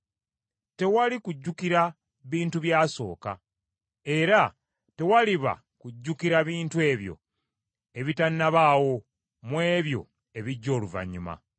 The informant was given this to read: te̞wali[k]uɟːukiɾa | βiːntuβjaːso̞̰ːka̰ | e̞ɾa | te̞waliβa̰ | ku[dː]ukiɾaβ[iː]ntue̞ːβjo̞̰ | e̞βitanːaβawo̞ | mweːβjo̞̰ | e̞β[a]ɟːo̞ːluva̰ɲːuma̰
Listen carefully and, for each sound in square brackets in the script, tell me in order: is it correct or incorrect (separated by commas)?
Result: correct, incorrect, correct, incorrect